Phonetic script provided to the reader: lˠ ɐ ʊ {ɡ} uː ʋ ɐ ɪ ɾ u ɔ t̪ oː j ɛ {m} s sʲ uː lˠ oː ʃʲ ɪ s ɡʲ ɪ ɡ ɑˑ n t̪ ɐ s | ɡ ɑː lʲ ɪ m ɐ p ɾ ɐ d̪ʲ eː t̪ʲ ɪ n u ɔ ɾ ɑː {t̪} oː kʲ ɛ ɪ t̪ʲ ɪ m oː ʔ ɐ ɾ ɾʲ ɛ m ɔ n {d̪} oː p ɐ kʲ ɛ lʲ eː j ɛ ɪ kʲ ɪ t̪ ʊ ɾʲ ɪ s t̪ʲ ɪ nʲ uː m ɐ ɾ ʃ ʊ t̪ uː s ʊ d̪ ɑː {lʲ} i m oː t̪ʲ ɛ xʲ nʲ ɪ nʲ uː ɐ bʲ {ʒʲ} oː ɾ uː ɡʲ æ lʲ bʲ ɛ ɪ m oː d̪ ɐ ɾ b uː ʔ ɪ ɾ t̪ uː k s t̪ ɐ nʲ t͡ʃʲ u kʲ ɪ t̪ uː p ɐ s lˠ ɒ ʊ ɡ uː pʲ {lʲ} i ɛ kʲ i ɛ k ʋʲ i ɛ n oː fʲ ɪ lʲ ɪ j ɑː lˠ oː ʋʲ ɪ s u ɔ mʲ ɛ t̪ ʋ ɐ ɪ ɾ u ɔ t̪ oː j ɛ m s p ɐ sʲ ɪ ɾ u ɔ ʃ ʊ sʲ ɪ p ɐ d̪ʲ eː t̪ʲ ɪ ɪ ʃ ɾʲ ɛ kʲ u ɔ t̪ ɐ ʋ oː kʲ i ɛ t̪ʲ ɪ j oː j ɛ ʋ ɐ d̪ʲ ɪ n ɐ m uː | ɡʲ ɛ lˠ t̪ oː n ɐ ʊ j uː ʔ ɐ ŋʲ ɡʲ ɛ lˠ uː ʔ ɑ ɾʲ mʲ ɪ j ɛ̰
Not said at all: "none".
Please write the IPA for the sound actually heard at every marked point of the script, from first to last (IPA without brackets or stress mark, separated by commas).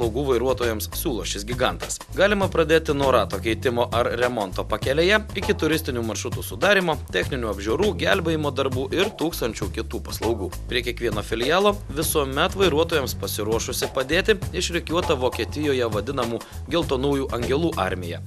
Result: ɡ, m, t̪, t̪, ɾʲ, ʒʲ, ɾʲ